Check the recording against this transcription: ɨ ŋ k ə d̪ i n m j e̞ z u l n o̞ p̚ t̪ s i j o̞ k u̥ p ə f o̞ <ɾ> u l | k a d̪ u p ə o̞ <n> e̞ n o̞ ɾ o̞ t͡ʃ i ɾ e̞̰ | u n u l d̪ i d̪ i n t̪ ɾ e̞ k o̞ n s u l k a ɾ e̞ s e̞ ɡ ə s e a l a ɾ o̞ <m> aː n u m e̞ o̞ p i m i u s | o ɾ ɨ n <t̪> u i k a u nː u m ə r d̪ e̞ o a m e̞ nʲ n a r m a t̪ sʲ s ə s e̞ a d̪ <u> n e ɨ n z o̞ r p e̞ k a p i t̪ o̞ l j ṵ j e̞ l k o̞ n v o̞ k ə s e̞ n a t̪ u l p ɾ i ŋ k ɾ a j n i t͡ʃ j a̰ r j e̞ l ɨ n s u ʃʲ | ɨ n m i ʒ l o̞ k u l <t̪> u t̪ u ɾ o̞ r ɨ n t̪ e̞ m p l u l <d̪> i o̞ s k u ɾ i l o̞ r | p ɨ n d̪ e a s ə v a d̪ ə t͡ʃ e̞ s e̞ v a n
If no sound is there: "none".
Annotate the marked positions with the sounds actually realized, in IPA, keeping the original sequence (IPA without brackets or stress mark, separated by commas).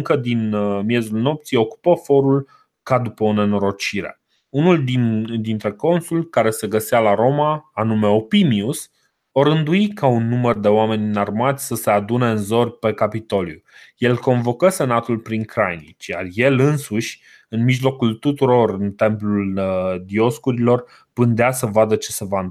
ɾ, n, m, d̪, u, t̪, d̪